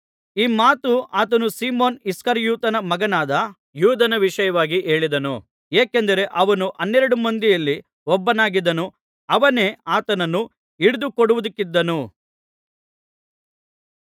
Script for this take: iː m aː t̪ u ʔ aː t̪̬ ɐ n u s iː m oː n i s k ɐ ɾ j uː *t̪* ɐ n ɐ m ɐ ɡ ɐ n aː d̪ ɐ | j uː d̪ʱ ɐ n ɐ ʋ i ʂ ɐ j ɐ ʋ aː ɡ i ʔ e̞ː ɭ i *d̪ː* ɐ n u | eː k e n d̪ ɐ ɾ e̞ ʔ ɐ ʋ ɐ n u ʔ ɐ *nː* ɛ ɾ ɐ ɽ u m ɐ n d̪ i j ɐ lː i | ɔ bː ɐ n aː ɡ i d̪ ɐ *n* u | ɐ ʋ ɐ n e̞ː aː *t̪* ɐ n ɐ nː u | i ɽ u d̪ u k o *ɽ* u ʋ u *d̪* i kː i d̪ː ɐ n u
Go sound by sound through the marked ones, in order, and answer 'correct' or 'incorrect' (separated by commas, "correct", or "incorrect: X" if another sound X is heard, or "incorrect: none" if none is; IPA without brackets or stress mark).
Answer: correct, incorrect: d̪, correct, correct, correct, correct, correct